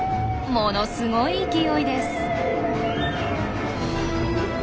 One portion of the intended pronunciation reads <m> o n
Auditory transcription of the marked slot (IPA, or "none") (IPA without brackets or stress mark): m